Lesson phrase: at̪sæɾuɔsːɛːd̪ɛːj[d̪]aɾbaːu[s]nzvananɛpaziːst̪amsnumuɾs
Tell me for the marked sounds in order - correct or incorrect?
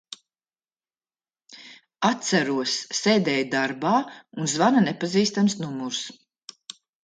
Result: correct, incorrect

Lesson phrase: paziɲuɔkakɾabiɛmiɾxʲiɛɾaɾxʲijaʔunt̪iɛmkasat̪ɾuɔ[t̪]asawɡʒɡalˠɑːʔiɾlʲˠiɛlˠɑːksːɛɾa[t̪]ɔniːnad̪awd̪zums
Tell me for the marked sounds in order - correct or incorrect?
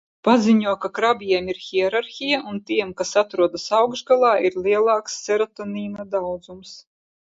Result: incorrect, correct

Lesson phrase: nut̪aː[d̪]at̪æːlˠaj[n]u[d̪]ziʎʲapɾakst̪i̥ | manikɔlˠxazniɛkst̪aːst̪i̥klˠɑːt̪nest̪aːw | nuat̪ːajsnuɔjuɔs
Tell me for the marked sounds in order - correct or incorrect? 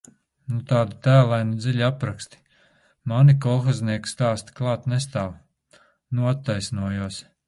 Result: correct, correct, correct

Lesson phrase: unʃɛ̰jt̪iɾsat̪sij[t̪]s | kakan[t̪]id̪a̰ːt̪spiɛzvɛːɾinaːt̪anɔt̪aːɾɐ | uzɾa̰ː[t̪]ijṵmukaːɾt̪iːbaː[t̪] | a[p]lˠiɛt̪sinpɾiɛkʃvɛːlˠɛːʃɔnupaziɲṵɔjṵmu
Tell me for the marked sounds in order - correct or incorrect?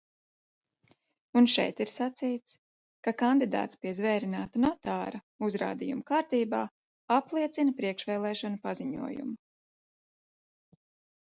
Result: correct, incorrect, incorrect, incorrect, correct

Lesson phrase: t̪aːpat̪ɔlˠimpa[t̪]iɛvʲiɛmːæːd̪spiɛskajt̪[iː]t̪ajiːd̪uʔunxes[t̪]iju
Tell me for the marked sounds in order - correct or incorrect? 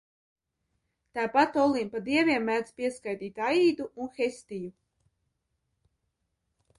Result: incorrect, correct, correct

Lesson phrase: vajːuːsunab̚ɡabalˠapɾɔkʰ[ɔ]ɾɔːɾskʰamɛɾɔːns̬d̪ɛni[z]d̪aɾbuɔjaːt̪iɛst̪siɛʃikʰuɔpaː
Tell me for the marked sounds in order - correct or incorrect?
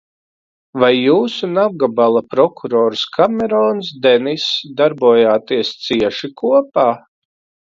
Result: incorrect, incorrect

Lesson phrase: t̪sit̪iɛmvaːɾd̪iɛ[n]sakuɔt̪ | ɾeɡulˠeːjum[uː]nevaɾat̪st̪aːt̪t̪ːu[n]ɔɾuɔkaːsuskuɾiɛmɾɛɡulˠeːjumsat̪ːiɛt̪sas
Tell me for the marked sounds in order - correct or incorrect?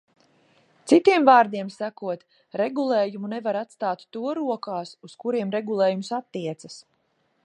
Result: incorrect, incorrect, incorrect

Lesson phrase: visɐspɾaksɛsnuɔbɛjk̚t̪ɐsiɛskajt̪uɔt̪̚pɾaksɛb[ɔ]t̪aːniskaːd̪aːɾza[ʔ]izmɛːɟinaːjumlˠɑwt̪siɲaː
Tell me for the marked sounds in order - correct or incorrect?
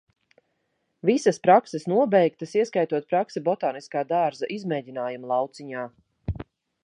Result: correct, correct

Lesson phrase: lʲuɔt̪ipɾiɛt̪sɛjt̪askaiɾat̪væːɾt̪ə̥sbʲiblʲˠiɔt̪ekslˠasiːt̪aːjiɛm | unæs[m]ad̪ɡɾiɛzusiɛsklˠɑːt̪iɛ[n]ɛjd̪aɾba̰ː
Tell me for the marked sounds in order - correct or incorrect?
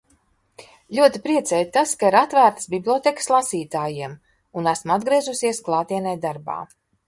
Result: correct, correct

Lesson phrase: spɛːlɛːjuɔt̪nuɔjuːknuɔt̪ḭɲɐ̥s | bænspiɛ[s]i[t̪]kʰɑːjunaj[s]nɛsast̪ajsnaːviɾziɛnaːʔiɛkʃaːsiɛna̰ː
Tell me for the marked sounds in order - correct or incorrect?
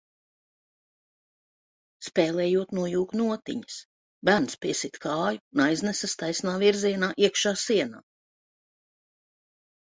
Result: correct, correct, incorrect

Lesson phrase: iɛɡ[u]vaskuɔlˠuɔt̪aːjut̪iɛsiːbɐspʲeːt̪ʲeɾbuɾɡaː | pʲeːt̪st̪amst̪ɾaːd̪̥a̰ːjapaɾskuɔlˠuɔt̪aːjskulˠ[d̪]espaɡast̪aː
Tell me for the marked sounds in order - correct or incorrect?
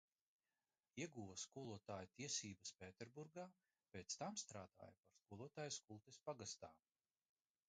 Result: incorrect, incorrect

